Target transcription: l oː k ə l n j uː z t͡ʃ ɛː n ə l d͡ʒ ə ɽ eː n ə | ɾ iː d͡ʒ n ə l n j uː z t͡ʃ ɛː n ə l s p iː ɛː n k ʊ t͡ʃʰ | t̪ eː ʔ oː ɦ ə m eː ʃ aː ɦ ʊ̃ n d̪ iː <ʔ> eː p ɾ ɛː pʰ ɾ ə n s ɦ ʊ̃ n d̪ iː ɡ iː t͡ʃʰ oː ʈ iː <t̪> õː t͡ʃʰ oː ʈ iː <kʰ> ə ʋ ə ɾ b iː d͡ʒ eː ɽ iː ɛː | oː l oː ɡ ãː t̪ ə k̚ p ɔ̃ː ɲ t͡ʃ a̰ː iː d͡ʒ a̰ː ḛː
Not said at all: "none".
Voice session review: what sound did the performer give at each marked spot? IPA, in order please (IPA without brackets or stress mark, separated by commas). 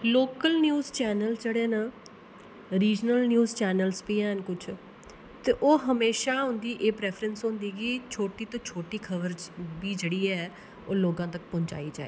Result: ʔ, t̪, kʰ